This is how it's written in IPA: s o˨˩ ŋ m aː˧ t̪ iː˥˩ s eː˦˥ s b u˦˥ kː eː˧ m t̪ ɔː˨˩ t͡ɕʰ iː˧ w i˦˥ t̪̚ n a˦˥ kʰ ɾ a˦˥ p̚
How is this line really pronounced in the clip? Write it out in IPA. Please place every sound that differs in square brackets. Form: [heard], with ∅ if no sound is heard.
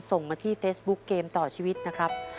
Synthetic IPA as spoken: s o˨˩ ŋ m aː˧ [t̪ʰ] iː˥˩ [f] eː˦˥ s b u˦˥ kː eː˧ m t̪ ɔː˨˩ t͡ɕʰ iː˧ w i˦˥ t̪̚ n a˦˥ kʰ ɾ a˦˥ p̚